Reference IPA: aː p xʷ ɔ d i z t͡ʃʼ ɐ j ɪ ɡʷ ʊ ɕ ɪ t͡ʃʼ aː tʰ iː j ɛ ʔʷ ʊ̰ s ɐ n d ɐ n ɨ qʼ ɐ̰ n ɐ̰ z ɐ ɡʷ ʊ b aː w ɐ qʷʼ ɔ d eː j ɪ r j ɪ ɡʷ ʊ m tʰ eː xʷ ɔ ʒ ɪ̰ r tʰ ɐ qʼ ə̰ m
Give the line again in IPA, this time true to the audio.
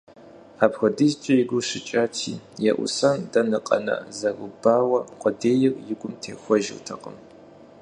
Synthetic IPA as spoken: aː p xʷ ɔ d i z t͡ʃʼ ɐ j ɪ ɡʷ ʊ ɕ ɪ t͡ʃʼ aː tʰ iː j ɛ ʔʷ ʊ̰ s ɐ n d ɐ n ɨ qʼ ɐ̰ n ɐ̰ z ɐ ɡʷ ʊ b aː w ɐ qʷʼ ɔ d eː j ɪ r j ɪ ɡʷ ʊ m tʰ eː xʷ ɔ ʒ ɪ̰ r tʰ ɐ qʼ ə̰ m